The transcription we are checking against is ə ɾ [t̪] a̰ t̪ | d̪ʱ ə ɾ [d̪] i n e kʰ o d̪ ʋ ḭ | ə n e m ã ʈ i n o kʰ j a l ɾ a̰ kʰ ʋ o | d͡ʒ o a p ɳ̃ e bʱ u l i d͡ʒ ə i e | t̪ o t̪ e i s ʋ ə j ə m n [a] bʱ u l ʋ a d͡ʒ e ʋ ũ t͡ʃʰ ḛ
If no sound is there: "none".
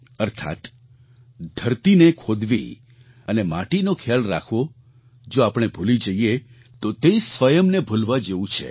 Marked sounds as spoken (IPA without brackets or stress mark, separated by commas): t̪ʰ, t̪, e